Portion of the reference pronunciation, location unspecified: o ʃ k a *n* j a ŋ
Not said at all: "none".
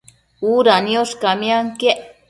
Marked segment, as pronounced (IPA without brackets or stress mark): m